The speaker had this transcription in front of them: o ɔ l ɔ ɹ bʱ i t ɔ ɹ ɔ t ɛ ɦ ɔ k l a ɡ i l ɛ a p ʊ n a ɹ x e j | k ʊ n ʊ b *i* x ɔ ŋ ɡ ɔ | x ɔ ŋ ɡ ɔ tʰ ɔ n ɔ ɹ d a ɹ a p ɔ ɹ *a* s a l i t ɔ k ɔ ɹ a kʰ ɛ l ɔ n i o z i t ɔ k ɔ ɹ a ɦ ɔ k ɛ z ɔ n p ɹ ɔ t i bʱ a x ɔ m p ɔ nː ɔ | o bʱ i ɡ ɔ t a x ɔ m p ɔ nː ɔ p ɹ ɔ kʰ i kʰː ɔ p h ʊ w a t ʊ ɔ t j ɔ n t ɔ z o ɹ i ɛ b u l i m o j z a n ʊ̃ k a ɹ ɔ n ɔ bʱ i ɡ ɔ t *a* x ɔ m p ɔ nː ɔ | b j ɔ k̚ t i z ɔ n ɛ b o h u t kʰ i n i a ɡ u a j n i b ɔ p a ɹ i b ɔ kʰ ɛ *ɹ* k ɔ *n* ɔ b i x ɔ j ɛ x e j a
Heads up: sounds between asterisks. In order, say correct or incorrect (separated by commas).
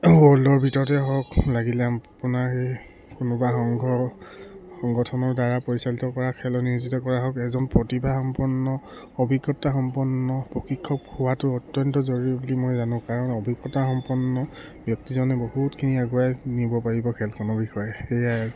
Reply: incorrect, incorrect, correct, incorrect, correct